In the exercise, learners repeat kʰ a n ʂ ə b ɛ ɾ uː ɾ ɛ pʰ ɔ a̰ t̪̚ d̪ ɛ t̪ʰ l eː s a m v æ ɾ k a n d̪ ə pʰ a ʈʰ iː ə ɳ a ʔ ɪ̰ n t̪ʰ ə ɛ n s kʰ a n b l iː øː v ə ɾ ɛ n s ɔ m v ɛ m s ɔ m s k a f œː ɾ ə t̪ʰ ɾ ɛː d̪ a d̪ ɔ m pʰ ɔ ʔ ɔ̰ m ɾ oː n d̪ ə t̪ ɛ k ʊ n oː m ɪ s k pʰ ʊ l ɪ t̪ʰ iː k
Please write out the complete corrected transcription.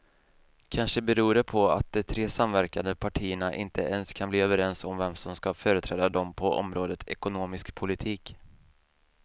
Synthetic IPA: kʰ a n ʂ ə b ɛ ɾ uː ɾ ɛ pʰ ɔ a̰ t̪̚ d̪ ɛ t̪ʰ ɾ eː s a m v æ ɾ k a n d̪ ə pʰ a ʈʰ iː ə ɳ a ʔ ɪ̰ n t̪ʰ ə ɛ n s kʰ a n b l iː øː v ə ɾ ɛ n s ɔ m v ɛ m s ɔ m s k a f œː ɾ ə t̪ʰ ɾ ɛː d̪ a d̪ ɔ m pʰ ɔ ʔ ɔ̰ m ɾ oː d̪ ə t̪ ɛ k ʊ n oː m ɪ s k pʰ ʊ l ɪ t̪ʰ iː k